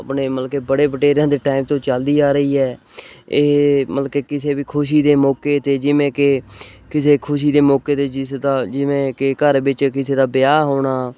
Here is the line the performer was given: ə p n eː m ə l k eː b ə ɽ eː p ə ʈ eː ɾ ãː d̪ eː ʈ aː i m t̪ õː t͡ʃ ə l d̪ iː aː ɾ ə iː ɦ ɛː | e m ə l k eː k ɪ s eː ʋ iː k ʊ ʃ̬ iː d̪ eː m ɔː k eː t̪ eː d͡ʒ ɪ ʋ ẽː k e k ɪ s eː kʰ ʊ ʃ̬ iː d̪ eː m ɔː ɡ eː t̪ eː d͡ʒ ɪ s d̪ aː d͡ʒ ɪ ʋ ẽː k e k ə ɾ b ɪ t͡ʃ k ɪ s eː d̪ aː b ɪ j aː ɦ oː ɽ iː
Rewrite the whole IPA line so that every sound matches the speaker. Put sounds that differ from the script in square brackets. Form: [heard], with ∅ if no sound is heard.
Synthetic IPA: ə p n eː m ə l k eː b ə ɽ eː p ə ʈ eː ɾ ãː d̪ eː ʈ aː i m t̪ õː t͡ʃ ə l d̪ iː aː ɾ ə iː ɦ ɛː | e m ə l k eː k ɪ s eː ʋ iː [kʰ] ʊ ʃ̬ iː d̪ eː m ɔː k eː t̪ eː d͡ʒ ɪ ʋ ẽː k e k ɪ s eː kʰ ʊ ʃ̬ iː d̪ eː m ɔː [k] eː t̪ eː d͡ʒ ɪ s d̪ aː d͡ʒ ɪ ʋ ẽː k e k ə ɾ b ɪ t͡ʃ k ɪ s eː d̪ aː b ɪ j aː ɦ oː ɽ [aː]